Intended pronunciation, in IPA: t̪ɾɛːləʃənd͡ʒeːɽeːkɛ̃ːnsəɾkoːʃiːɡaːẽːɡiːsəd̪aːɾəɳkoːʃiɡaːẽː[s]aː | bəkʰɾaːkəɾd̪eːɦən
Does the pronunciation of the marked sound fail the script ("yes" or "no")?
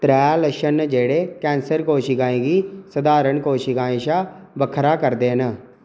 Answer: yes